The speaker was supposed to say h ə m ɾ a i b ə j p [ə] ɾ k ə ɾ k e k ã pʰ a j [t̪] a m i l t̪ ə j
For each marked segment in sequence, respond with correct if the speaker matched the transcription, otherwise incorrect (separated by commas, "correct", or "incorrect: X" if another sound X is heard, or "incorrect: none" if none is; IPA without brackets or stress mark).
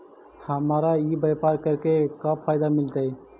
incorrect: a, incorrect: d̪